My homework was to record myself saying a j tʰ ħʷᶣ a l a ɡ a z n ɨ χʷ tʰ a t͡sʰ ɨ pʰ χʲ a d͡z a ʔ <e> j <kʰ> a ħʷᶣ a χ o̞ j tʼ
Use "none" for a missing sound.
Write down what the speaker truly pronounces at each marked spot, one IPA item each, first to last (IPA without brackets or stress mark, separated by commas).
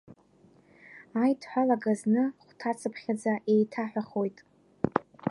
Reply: e, tʰ